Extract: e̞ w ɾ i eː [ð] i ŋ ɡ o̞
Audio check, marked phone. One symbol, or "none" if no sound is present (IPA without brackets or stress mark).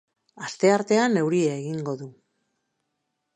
ɣ